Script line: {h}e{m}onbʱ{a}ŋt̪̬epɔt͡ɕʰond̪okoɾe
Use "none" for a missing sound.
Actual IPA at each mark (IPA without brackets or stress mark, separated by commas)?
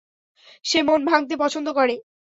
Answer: ʃ, m, a